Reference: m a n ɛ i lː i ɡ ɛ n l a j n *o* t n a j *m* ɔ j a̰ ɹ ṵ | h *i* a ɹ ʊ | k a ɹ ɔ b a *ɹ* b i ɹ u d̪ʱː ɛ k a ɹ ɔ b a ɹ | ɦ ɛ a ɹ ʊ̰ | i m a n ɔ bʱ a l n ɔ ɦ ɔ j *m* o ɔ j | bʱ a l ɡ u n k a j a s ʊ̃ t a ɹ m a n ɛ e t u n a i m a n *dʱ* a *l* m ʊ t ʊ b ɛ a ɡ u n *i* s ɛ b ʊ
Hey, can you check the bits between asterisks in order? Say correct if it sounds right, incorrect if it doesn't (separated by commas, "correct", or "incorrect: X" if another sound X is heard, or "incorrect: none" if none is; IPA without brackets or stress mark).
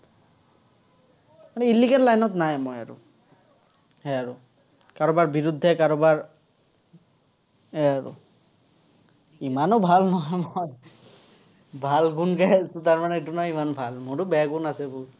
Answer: incorrect: ɔ, correct, incorrect: ɛ, correct, correct, incorrect: bʱ, correct, incorrect: a